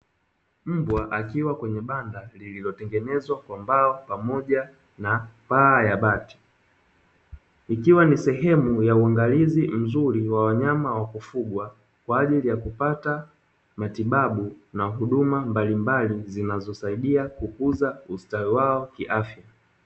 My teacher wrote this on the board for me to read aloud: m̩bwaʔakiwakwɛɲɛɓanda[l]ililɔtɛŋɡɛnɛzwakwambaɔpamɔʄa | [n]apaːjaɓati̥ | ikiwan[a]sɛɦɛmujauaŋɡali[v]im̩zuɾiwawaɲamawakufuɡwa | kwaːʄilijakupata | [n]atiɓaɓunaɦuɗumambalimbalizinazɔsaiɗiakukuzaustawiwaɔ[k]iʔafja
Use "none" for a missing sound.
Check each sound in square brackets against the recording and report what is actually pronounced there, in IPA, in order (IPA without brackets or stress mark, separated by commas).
l, n, i, z, m, k